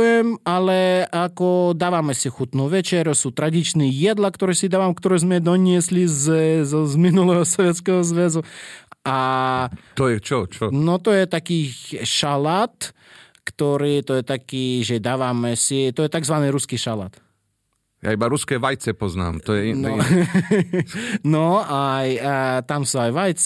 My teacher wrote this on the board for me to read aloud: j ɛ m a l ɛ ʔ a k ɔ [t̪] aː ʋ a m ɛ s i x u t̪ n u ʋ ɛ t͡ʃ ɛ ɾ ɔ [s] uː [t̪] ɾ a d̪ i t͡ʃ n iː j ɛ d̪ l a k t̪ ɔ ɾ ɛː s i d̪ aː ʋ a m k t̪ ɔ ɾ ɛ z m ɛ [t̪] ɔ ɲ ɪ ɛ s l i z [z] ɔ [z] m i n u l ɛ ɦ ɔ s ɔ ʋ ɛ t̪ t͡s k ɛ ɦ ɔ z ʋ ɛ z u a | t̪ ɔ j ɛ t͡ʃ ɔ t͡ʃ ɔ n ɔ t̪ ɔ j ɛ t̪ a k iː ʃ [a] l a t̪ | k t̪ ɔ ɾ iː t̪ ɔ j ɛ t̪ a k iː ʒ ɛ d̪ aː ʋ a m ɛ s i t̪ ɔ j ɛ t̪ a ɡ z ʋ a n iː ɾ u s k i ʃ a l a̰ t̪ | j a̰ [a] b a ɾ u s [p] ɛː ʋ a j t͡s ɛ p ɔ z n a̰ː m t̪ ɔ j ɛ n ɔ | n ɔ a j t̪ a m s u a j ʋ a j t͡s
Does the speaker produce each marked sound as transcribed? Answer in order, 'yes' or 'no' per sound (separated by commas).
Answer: no, yes, yes, no, yes, yes, yes, no, no